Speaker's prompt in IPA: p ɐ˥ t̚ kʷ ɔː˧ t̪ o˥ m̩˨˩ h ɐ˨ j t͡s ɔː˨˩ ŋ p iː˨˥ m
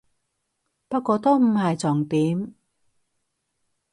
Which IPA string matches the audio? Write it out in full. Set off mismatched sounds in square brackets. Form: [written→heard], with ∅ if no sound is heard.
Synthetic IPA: p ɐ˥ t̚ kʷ ɔː˧ t̪ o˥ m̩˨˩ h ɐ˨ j t͡s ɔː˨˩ ŋ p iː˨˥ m